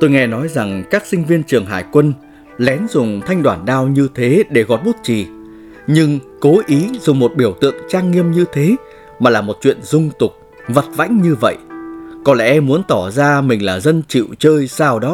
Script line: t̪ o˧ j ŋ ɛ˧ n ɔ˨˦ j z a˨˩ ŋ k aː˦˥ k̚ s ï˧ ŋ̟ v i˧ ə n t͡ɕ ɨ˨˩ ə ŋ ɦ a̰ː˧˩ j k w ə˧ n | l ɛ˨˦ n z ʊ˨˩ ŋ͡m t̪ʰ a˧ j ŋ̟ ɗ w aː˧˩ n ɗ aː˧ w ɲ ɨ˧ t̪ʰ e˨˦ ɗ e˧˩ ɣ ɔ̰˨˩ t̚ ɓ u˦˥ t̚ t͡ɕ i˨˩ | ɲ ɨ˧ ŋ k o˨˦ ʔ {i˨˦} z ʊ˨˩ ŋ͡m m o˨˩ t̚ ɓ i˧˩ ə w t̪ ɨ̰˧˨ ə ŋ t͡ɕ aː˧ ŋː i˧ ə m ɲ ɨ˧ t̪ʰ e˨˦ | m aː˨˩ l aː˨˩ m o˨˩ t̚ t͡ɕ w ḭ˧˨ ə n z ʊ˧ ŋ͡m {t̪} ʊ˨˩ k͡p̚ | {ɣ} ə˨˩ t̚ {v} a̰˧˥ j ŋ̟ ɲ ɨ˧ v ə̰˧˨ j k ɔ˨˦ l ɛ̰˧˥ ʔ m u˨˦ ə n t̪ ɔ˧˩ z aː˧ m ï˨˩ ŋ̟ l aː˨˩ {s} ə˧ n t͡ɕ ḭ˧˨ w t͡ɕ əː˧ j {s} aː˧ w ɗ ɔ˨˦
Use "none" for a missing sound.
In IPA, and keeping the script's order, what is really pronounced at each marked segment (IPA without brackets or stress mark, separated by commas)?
i˨˦, t̪, v, v, z, s